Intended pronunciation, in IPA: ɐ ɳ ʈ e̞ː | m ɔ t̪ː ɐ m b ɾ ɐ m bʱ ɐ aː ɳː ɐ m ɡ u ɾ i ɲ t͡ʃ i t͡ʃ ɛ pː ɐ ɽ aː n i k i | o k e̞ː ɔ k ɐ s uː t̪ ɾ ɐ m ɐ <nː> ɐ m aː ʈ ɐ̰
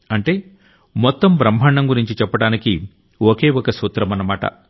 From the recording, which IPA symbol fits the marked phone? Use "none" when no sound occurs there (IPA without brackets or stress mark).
n